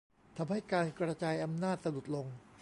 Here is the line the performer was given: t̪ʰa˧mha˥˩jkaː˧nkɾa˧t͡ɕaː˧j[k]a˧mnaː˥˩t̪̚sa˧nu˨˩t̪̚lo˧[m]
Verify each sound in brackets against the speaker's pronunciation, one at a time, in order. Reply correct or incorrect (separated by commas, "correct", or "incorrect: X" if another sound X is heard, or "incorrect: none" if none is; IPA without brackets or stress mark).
incorrect: ʔ, incorrect: ŋ